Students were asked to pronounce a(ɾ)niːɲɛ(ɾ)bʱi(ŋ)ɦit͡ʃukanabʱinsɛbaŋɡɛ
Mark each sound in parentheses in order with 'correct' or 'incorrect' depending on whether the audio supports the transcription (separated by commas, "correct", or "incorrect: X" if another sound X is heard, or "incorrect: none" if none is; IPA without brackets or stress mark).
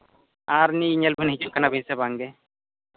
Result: correct, incorrect: l, incorrect: n